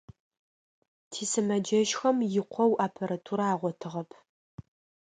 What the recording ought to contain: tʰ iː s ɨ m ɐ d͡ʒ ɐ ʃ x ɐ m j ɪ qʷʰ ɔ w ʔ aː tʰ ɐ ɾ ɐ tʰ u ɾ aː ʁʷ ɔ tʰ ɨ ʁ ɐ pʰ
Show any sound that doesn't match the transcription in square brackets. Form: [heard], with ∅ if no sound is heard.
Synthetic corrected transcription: tʰ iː s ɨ m ɐ d͡ʒ ɐ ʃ x ɐ m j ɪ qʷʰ ɔ w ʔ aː [pʰ] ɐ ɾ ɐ tʰ u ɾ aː ʁʷ ɔ tʰ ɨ ʁ ɐ pʰ